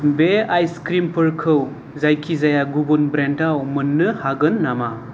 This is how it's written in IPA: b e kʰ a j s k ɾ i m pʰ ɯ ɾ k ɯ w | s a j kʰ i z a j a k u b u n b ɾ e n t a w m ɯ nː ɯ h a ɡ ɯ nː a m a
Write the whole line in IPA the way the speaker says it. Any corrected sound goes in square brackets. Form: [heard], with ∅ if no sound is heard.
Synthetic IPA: b e [∅] a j s k ɾ i m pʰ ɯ ɾ [kʰ] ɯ w | [z] a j kʰ i z a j a [ɡ] u b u n b ɾ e n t a w m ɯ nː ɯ h a ɡ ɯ nː a m a